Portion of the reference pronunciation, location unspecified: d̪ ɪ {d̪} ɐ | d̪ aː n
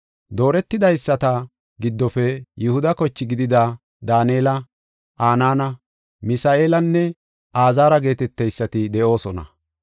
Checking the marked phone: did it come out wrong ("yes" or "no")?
no